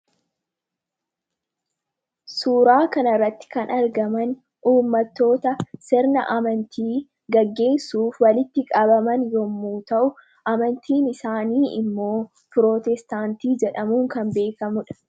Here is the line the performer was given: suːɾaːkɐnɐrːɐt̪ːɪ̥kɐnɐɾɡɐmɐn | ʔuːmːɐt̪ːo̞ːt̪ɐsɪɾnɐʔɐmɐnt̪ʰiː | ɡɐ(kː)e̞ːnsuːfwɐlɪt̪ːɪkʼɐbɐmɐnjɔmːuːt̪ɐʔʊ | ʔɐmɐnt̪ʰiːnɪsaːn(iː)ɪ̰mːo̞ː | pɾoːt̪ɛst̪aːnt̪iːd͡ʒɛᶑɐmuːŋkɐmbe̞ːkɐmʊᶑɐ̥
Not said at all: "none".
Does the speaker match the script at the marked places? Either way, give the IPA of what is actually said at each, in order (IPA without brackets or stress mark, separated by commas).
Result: ɡː, iː